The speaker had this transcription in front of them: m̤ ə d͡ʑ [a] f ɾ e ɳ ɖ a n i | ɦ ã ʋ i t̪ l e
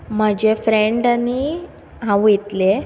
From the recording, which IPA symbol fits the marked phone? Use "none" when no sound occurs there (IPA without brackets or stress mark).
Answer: e